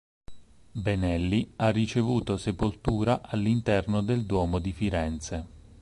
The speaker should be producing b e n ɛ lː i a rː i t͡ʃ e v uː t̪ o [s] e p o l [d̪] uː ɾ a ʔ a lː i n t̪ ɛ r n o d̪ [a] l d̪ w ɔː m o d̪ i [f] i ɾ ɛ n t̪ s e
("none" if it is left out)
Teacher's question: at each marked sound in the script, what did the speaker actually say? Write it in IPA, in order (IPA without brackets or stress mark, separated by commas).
s, t̪, e, f